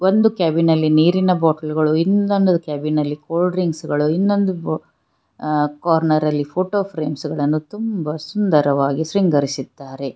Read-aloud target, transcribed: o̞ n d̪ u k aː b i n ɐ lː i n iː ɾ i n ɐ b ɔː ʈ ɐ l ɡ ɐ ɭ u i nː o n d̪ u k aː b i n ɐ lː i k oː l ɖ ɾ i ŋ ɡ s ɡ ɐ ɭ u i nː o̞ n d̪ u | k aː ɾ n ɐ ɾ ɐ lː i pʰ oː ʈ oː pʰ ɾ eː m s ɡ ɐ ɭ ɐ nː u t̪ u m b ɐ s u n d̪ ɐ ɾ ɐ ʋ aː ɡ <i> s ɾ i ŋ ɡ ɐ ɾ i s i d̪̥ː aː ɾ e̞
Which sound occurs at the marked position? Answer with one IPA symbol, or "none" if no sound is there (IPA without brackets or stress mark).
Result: i